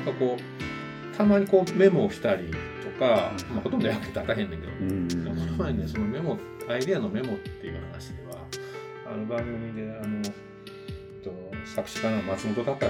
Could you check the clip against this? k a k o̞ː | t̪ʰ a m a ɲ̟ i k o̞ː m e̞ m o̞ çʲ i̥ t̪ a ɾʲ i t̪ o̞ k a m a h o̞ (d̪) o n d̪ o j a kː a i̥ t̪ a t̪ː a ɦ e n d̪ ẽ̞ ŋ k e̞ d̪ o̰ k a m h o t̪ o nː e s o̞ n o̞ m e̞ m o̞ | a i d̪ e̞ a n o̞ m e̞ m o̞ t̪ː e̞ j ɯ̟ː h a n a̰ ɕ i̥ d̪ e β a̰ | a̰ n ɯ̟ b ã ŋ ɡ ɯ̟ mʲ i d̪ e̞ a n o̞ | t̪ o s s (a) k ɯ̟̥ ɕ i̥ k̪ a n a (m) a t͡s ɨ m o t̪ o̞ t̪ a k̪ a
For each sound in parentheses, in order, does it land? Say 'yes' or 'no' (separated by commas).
no, yes, yes